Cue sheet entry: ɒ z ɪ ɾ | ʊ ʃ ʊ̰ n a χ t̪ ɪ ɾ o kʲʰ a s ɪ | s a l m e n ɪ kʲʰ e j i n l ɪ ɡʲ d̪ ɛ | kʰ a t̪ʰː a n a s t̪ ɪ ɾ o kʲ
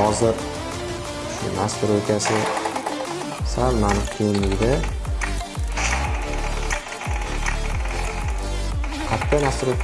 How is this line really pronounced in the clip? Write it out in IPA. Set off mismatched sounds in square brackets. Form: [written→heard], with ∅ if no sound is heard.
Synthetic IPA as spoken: ɒ z ɪ ɾ | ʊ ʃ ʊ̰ n a [χ→s] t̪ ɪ ɾ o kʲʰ a s ɪ | s a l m [e→a] n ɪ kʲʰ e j [i→ɪ] n l ɪ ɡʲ d̪ [ɛ→a] | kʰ a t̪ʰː a n a s t̪ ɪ ɾ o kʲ